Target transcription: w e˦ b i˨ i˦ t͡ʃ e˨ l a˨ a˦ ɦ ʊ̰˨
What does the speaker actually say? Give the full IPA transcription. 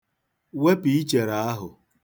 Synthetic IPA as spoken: w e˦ p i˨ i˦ t͡ʃ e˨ ɾ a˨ a˦ ɦ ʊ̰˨